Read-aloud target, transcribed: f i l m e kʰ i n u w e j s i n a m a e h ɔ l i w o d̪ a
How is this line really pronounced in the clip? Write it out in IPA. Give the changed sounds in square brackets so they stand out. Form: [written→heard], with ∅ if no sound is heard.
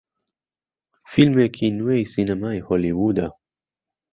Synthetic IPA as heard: f i l m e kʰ i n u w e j s i n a m a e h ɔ l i w [o→u] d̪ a